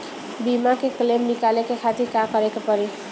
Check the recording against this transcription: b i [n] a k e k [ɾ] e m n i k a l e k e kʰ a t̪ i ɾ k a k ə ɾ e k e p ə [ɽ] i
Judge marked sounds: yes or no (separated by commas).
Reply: no, no, no